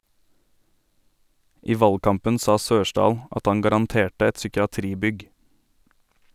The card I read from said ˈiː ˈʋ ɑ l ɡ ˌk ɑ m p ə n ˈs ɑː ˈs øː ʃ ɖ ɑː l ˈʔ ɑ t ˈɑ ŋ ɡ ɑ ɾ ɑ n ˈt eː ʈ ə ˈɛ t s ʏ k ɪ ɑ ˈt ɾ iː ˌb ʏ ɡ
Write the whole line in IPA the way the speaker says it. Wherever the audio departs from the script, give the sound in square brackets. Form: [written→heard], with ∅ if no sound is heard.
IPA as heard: ˈiː ˈʋ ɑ l ɡ ˌk ɑ m p ə n ˈs ɑː ˈs øː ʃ ɖ ɑː l ˈʔ ɑ t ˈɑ ŋ ɡ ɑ ɾ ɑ n ˈt eː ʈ ə ˈɛ t s ʏ k ɪ ɑ ˈt ɾ iː ˌb ʏ ɡ